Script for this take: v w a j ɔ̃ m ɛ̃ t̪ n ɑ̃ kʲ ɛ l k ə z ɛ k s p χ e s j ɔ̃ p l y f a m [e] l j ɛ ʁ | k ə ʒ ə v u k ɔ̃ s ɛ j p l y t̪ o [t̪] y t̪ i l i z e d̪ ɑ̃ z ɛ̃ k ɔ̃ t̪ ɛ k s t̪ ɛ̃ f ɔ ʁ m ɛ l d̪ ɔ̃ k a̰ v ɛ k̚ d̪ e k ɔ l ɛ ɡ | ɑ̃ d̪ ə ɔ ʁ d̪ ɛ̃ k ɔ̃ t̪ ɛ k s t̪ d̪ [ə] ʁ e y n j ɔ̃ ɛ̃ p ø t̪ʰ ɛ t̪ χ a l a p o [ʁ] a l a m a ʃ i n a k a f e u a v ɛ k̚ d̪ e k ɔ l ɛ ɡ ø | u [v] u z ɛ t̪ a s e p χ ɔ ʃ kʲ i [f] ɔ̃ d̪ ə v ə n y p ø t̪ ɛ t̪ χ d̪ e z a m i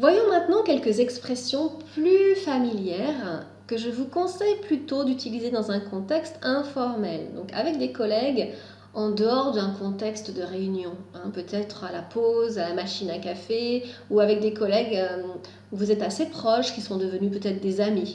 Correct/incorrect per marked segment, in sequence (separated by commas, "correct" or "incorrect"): incorrect, incorrect, correct, incorrect, correct, incorrect